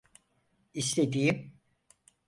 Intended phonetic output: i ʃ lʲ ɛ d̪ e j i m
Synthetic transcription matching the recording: i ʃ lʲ e d̪ i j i m

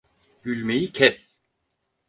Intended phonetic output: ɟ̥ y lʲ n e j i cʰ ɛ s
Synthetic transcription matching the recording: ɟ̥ y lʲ m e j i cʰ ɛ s

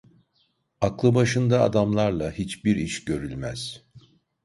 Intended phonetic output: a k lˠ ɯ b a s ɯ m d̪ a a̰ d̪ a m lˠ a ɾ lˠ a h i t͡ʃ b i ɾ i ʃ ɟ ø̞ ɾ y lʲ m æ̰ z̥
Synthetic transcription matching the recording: a k lˠ ɯ b a ʃ ɯ n d̪ a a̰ d̪ a m lˠ a ɾ lˠ a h i t͡ʃ b i ɾ i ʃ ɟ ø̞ ɾ y lʲ m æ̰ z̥

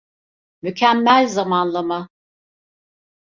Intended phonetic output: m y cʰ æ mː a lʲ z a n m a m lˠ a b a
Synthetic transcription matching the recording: m y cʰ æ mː æ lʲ z a m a n lˠ a m a

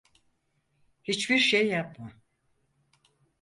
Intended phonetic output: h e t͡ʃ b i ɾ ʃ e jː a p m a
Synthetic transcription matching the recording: h i t͡ʃ b i ɾ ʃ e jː a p m a

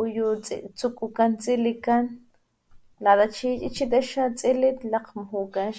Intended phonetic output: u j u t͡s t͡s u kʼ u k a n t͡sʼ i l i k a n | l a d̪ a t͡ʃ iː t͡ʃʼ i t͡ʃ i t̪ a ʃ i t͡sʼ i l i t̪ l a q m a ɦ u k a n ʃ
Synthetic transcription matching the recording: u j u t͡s t͡s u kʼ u k a n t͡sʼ i l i k a n | l a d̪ a t͡ʃ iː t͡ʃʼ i t͡ʃ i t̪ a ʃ a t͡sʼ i l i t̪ l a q m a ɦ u k a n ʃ

